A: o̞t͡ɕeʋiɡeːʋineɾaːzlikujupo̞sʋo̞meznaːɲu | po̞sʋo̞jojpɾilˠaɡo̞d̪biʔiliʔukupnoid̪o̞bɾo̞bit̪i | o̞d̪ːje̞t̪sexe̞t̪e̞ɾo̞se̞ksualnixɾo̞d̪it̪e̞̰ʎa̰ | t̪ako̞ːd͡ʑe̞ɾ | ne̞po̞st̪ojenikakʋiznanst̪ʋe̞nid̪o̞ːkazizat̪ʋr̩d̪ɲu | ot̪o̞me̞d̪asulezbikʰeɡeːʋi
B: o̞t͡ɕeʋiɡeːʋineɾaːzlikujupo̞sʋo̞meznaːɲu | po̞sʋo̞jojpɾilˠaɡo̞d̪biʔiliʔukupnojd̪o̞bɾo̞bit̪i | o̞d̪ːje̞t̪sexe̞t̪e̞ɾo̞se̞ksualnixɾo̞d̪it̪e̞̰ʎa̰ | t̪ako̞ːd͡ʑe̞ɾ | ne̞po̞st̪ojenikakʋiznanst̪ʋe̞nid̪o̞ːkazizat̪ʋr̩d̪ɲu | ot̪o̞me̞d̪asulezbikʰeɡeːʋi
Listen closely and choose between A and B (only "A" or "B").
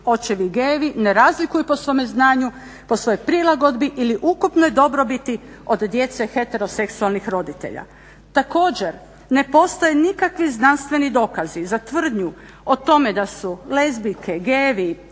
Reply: B